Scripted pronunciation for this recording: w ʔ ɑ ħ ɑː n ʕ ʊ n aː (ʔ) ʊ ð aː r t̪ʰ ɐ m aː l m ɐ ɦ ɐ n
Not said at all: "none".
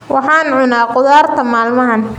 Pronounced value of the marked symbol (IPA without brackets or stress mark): q